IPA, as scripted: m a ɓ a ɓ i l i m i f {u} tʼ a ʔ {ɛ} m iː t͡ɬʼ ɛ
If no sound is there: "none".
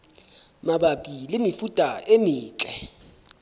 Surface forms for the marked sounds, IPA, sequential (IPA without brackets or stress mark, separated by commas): u, e